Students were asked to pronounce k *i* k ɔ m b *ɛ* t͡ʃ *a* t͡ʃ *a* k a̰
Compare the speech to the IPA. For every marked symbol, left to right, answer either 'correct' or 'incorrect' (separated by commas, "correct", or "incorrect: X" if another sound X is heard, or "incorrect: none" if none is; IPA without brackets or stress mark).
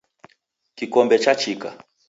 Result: correct, correct, correct, incorrect: i